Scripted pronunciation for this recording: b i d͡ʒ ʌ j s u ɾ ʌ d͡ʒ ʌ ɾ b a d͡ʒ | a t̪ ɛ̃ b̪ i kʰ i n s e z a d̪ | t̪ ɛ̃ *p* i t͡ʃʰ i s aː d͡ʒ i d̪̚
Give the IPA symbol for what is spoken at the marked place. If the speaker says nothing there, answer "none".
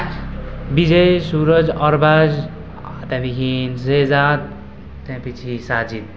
p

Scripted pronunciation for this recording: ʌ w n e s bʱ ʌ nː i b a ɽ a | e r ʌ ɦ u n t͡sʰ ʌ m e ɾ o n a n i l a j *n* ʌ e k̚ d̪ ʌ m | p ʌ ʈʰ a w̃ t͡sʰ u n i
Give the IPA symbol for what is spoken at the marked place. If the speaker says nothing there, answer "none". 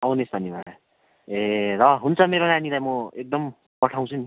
m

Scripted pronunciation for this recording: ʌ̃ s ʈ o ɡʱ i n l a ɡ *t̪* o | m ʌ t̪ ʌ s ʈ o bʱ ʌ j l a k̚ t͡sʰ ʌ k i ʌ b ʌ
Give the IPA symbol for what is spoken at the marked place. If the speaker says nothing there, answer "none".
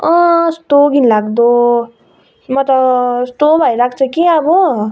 d̪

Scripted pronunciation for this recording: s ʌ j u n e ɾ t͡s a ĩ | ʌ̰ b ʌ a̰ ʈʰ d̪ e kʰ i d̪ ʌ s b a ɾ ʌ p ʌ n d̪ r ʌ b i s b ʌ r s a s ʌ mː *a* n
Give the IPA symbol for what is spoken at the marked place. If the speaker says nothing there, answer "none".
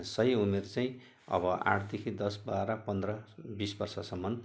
ʌ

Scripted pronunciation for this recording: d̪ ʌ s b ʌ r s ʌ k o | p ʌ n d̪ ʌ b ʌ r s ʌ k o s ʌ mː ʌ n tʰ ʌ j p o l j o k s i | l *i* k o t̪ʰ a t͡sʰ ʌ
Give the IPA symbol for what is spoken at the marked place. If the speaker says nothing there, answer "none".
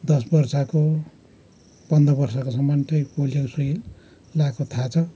a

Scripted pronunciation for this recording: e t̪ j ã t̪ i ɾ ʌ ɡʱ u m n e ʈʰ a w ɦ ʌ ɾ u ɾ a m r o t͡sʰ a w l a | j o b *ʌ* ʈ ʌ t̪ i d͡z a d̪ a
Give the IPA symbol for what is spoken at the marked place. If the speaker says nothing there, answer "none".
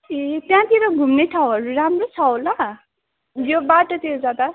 a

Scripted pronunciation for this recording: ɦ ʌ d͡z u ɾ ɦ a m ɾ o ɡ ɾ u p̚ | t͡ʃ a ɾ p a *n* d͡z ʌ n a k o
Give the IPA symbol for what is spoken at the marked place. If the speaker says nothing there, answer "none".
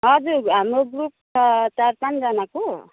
n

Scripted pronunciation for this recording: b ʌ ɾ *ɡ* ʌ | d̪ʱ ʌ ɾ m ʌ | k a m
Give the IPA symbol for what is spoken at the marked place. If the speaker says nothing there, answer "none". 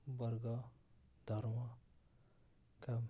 ɡ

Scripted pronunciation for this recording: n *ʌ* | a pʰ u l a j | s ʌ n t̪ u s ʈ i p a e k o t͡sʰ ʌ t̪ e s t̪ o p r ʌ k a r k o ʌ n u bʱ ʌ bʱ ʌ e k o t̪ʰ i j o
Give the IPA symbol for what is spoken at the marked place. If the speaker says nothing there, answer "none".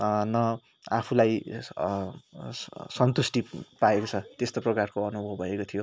ʌ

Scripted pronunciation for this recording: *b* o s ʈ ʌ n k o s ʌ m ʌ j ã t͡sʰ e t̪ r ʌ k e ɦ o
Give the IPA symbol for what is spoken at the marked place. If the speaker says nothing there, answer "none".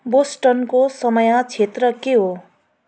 b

